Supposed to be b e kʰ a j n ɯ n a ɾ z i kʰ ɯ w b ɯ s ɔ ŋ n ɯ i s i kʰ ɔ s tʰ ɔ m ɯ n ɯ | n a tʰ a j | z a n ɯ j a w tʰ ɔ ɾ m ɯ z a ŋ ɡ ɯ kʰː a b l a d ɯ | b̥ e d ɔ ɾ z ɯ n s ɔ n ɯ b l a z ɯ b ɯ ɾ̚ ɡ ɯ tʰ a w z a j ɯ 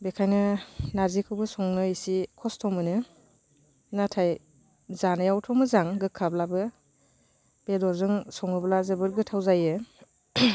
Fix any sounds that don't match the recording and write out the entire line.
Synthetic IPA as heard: b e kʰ a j n ɯ n a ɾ z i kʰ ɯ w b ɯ s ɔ ŋ n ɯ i s i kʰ ɔ s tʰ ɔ m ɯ n ɯ | n a tʰ a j | z a n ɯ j a w tʰ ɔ m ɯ z a ŋ ɡ ɯ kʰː a b l a b ɯ | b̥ e d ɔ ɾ z ɯ ŋ s ɔ ŋ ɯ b l a z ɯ b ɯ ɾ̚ ɡ ɯ tʰ a w z a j ɯ